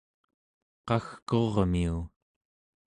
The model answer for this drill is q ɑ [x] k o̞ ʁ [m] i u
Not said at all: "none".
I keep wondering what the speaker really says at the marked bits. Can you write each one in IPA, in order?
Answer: x, m

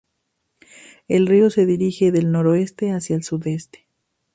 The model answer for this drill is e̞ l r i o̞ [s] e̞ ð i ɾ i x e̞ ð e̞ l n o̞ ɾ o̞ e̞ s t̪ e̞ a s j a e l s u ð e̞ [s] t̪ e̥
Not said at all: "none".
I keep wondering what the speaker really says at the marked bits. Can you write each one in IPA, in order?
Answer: s, s

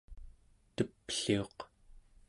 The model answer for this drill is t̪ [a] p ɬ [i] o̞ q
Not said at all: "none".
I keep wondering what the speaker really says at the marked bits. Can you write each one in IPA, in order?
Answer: ə, i

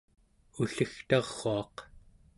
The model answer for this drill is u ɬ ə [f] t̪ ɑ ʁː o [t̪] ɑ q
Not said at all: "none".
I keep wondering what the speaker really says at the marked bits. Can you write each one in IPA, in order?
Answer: x, none

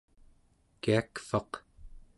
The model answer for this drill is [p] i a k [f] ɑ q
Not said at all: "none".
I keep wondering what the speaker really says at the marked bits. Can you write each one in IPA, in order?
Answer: k, f

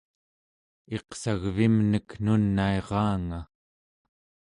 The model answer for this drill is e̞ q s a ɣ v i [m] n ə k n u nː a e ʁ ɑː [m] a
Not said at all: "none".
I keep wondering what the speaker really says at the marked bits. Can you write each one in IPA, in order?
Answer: m, ŋ

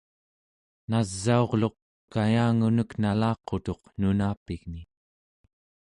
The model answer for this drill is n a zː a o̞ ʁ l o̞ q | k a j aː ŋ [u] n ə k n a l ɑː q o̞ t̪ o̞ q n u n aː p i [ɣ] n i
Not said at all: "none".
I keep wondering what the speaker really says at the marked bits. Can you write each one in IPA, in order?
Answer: u, ɣ

